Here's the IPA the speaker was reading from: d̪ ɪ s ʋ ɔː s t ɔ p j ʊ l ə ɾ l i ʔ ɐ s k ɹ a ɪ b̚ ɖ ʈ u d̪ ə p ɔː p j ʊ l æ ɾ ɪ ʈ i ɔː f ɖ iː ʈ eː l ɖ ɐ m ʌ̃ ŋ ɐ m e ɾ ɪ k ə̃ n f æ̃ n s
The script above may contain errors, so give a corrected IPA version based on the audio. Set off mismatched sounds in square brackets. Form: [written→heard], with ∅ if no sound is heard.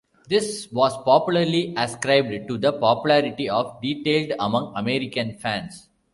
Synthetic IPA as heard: d̪ ɪ s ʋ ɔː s [t→p] ɔ p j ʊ l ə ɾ l i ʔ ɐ s k [ɹ→ɾ] a ɪ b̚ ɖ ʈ u d̪ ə p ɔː p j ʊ l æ ɾ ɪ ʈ i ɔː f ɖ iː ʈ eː l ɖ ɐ m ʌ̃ ŋ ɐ m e ɾ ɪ k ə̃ n f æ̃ n s